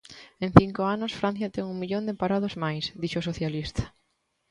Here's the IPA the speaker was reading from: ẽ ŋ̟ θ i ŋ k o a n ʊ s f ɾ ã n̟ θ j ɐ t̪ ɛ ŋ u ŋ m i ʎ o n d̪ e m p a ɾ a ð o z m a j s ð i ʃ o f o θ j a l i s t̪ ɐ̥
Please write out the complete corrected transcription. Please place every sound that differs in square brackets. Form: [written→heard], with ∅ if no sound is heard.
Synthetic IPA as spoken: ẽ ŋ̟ θ i ŋ k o a n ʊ s f ɾ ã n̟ θ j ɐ t̪ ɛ ŋ u ŋ m i ʎ o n d̪ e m p a ɾ a ð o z m a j s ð i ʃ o [f→s] o θ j a l i s t̪ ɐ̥